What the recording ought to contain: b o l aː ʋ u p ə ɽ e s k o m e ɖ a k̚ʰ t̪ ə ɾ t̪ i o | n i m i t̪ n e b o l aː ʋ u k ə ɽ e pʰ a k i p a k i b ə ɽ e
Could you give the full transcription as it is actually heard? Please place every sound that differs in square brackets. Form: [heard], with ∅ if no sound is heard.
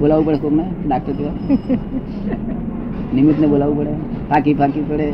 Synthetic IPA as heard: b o l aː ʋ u p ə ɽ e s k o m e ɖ a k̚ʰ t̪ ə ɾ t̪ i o | n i m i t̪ n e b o l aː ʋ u [p] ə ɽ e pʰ a k i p a k i [p] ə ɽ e